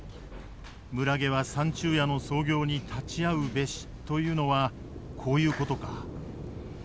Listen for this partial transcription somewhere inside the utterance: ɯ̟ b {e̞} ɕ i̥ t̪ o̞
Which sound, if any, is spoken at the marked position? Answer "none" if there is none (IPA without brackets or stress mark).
e̞